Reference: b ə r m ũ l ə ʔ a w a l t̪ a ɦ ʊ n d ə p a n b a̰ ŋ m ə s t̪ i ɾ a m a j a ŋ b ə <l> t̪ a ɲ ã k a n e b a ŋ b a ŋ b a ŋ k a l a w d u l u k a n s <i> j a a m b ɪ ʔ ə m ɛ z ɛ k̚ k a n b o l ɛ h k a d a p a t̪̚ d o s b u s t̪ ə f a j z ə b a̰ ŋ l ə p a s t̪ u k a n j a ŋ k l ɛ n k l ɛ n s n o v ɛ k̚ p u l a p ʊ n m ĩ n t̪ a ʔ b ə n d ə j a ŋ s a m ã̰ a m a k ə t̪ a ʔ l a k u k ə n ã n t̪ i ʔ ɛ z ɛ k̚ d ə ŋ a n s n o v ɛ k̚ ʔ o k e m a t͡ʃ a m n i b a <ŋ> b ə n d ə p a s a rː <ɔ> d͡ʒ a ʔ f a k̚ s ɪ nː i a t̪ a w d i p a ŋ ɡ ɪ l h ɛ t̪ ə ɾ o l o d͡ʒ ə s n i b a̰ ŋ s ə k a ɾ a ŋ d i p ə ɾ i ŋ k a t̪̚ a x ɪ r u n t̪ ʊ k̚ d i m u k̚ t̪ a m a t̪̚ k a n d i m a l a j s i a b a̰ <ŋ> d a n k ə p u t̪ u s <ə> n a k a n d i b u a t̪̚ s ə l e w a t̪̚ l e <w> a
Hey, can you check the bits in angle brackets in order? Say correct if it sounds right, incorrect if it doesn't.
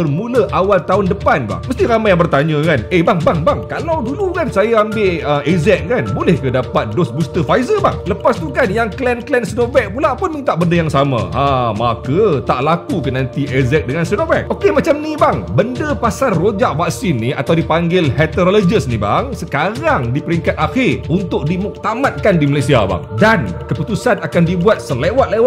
incorrect: r, incorrect: a, correct, incorrect: o, correct, incorrect: a, correct

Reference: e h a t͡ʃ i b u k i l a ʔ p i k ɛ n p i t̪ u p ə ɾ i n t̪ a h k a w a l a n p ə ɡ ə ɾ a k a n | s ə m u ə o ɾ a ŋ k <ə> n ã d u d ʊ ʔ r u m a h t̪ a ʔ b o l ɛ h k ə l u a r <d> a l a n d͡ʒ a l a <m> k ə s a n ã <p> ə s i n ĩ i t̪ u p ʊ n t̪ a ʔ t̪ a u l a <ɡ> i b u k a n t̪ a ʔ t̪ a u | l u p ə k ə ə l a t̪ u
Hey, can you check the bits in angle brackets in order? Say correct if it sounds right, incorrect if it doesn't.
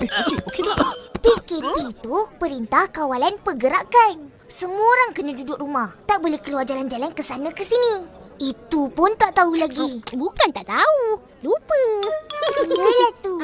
correct, incorrect: d͡ʒ, incorrect: n, incorrect: k, correct

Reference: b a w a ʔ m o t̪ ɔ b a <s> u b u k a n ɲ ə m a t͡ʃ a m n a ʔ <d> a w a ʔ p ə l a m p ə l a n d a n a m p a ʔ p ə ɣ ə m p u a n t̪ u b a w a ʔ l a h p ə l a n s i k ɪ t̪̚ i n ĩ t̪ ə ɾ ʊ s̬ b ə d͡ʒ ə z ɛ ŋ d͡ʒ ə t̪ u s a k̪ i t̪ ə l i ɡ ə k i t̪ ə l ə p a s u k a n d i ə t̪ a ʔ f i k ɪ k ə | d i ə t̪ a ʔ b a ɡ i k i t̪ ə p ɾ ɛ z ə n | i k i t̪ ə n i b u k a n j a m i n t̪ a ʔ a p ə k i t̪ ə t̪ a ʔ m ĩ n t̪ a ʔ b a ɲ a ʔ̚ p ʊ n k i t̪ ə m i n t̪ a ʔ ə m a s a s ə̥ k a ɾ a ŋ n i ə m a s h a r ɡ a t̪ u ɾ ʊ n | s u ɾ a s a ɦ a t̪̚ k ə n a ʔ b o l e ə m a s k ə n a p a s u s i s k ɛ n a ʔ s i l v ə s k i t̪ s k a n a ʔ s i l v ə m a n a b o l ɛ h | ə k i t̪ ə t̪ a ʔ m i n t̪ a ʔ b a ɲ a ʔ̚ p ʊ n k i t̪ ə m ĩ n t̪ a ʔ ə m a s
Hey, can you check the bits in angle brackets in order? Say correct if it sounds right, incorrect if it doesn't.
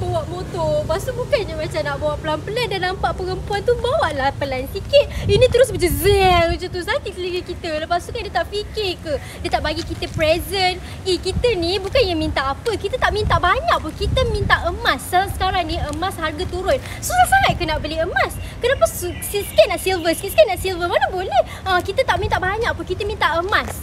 correct, incorrect: b

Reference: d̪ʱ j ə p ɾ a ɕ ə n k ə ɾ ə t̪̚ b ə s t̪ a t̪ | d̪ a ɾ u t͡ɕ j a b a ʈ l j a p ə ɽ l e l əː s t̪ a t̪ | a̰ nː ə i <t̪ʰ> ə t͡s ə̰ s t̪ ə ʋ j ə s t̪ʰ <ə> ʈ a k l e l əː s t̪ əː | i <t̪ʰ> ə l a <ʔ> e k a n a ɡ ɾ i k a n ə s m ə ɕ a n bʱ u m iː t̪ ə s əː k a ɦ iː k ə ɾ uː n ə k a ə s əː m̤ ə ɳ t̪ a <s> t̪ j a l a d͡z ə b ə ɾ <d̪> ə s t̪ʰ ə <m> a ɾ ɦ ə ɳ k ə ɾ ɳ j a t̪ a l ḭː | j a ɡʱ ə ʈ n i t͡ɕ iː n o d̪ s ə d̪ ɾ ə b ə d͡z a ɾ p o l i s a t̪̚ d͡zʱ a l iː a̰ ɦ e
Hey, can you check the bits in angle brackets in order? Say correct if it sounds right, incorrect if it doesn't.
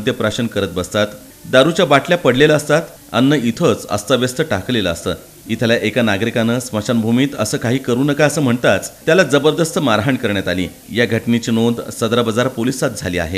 correct, correct, correct, correct, incorrect: t͡s, correct, correct

